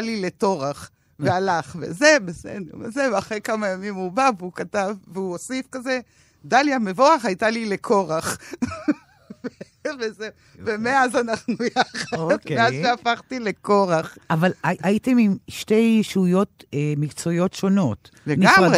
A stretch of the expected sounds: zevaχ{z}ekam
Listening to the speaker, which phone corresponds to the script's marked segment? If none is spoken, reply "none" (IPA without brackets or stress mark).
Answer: ʁ